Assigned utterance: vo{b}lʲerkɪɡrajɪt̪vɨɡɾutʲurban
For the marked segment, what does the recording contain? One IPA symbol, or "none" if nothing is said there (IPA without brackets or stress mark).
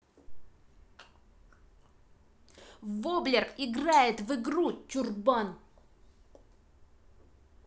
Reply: b